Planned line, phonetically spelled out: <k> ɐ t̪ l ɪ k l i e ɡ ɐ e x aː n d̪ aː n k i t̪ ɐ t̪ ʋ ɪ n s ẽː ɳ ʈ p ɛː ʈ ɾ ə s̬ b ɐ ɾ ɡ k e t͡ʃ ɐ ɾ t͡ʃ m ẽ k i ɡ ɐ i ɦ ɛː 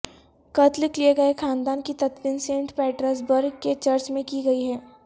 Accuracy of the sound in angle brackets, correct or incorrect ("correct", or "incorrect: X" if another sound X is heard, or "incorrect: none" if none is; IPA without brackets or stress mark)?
correct